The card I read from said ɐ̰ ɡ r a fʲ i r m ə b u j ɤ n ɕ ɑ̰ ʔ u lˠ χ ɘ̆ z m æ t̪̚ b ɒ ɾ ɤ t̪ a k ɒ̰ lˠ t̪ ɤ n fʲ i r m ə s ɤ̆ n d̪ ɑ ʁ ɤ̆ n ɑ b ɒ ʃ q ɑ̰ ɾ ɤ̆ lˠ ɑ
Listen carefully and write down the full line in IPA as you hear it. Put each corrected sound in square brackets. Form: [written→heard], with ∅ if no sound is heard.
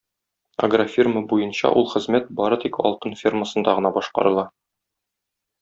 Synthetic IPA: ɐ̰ ɡ r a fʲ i r m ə b u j ɤ n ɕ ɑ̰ ʔ u lˠ χ ɘ̆ z m æ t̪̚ b ɒ ɾ ɤ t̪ [a→i] k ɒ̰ lˠ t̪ ɤ n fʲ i r m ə s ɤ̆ n d̪ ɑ ʁ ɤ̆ n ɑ b ɒ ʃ q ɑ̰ ɾ ɤ̆ lˠ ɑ